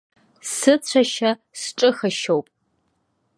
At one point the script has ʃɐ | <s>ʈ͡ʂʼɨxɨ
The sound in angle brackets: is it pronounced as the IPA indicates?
yes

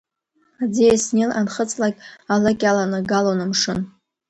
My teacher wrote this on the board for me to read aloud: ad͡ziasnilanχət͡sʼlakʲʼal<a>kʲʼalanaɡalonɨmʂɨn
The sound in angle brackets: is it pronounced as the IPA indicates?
yes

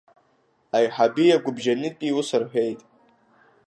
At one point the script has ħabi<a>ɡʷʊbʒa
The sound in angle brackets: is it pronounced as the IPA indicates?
yes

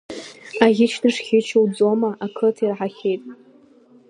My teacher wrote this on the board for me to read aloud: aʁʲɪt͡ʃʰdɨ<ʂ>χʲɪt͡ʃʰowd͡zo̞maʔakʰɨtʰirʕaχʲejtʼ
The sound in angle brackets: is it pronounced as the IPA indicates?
yes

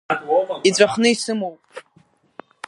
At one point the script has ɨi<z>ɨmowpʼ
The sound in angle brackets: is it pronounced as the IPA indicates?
no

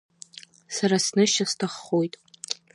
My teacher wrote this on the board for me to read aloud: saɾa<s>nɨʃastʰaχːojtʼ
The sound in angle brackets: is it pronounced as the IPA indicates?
yes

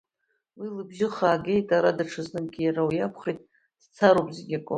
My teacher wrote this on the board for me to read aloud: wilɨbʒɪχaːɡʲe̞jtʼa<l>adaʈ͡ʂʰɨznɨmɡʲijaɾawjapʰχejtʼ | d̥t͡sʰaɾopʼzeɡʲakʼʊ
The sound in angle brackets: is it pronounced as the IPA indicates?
no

